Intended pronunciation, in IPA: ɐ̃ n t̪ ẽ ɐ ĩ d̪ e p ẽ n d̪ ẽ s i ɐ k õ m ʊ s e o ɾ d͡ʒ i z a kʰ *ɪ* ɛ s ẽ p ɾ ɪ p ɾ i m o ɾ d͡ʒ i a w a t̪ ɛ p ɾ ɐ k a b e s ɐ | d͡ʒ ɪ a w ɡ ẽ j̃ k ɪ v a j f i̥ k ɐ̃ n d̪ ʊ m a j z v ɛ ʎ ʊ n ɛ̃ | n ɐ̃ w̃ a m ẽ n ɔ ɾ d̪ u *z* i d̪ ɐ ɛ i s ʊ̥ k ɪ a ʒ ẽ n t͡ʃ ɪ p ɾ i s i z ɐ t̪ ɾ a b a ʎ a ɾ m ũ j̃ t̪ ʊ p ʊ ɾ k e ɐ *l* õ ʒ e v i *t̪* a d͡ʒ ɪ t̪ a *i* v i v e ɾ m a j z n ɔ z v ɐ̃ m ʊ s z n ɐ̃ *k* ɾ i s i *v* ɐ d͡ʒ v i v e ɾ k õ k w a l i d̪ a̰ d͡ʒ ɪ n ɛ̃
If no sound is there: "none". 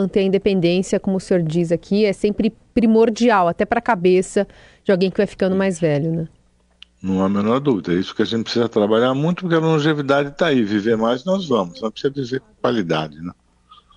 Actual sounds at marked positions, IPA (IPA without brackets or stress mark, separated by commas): i, v, l, d̪, i, p, z